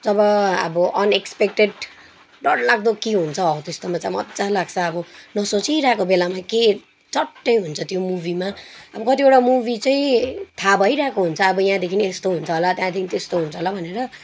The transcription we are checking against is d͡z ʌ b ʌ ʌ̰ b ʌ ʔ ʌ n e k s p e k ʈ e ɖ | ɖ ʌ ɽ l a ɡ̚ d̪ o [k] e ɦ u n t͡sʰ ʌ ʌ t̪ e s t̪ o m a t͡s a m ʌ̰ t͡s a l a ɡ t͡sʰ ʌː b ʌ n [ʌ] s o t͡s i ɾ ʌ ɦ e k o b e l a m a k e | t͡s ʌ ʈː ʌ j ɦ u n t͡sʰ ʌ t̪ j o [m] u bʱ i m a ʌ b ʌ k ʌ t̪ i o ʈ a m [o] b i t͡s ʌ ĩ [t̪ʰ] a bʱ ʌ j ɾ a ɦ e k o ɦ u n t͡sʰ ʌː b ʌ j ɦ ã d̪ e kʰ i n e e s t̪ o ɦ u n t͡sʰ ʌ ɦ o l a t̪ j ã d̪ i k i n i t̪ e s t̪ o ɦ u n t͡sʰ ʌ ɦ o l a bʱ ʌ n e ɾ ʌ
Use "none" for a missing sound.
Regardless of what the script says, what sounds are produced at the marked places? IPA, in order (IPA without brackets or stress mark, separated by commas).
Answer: k, ʌ, m, u, t̪ʰ